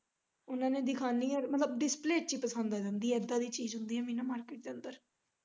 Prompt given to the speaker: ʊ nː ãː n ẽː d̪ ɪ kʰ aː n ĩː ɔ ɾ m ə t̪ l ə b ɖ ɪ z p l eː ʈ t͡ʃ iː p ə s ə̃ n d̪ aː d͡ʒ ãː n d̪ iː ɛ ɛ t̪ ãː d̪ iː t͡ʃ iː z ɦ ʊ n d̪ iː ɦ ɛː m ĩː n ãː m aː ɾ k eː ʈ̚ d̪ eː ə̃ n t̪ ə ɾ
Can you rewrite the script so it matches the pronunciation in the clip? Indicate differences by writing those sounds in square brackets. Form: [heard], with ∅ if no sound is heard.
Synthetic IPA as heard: ʊ [n] ãː n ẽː d̪ ɪ kʰ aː n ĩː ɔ ɾ m ə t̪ l ə b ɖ ɪ [s] p l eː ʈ t͡ʃ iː p ə s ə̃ n d̪ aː d͡ʒ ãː n d̪ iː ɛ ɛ [d̪] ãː d̪ iː t͡ʃ iː z ɦ ʊ n d̪ iː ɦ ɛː m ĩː n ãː m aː ɾ k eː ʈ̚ d̪ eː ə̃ n [d̪] ə ɾ